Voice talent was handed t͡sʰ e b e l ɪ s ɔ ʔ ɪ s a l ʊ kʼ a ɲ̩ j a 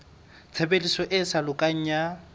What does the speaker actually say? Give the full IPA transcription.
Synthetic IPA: t͡sʰ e b e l i s ɔ ʔ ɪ s a l ʊ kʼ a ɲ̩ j a

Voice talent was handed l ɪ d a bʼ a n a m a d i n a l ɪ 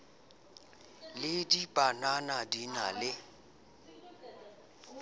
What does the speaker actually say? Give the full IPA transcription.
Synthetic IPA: l ɪ d i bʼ a n a n a d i n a l ɪ

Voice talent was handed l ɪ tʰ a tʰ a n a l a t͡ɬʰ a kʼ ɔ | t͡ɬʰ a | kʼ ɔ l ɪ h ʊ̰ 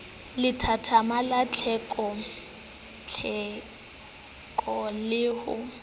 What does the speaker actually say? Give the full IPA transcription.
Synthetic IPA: l ɪ tʰ a tʰ a m a l a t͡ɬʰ ɛ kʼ ɔ | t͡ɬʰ ɛ | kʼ ɔ l ɪ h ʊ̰

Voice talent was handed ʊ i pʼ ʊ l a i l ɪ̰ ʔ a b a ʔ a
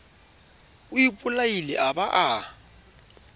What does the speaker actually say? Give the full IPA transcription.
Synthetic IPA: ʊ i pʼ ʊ l a i l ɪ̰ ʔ a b a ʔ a

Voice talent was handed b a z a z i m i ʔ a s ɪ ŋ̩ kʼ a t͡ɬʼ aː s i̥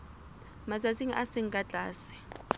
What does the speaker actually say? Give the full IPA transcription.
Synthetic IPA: m a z a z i ŋ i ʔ a s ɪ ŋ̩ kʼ a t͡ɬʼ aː s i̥

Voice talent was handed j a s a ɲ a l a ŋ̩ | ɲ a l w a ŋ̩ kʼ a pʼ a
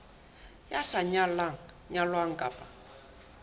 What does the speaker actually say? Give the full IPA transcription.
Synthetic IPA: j a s a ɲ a l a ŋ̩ | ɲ a l w a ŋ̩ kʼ a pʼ a

